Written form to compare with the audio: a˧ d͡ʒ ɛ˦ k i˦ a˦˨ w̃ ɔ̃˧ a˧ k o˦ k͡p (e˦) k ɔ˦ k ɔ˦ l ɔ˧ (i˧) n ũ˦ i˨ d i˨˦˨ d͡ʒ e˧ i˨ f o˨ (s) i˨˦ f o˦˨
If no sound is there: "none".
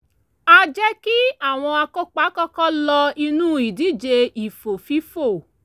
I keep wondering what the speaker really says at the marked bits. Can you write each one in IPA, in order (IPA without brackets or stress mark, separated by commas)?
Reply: a˦, i˧, f